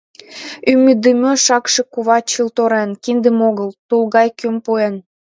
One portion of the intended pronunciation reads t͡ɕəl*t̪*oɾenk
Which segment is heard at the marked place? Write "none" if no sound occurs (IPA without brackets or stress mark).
t̪